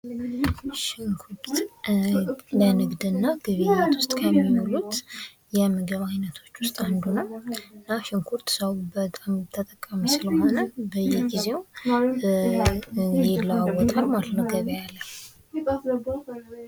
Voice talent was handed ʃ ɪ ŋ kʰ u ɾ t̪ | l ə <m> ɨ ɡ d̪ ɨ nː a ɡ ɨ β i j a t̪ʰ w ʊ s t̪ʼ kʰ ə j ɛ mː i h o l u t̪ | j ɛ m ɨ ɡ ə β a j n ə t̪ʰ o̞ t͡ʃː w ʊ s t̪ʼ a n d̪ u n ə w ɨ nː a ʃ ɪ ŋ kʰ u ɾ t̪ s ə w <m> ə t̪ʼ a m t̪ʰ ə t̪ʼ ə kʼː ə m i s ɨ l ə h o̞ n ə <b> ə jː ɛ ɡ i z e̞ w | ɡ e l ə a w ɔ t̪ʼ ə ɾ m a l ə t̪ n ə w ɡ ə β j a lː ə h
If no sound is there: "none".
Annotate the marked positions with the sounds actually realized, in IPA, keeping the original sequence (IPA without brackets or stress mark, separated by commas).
n, b, b